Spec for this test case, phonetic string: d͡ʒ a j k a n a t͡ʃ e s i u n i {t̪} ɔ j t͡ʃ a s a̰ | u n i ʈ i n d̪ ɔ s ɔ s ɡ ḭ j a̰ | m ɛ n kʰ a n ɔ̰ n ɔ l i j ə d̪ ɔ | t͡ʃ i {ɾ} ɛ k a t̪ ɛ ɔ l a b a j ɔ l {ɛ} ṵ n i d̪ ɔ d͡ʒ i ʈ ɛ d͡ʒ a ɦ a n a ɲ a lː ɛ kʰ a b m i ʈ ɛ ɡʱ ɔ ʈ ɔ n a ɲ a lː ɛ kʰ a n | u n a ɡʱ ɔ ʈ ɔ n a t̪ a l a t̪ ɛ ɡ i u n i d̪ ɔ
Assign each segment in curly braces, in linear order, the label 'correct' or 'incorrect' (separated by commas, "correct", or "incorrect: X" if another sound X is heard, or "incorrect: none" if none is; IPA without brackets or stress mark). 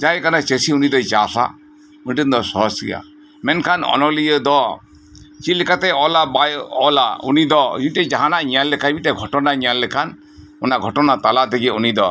incorrect: d̪, incorrect: l, incorrect: a